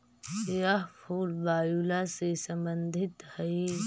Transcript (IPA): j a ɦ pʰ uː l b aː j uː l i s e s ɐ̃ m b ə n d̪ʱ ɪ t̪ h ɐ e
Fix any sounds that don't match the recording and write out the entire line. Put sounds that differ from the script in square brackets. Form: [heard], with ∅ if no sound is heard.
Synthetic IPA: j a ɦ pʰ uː l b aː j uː l [a] s e s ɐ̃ m b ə n d̪ʱ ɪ t̪ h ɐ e